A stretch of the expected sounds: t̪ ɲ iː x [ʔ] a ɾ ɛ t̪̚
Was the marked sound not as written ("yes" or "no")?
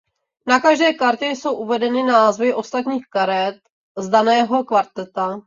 yes